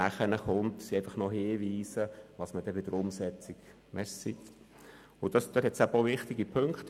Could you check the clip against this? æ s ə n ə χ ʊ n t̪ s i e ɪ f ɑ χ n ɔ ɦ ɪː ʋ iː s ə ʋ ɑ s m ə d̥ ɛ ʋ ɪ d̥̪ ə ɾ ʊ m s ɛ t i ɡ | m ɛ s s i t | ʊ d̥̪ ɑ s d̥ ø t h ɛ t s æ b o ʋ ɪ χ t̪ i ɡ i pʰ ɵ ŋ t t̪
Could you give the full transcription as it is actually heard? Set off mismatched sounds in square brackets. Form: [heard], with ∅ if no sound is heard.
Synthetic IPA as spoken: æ [χ] ə n ə χ ʊ n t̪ s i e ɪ f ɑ χ n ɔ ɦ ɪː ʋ iː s ə ʋ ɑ s m ə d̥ ɛ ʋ ɪ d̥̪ ə ɾ ʊ m s ɛ [t͡s] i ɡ | m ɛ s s i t | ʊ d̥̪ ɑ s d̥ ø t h ɛ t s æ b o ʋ ɪ χ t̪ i ɡ i pʰ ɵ ŋ [k] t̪